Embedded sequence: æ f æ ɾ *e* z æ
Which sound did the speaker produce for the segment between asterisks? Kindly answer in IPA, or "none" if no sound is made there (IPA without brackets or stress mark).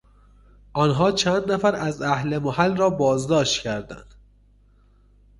æ